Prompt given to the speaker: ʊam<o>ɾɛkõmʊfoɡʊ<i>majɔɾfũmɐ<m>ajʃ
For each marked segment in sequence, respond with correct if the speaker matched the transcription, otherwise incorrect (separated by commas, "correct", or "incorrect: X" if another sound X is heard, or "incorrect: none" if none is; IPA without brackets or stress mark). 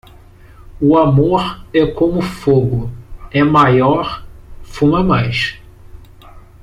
correct, incorrect: ɛ, correct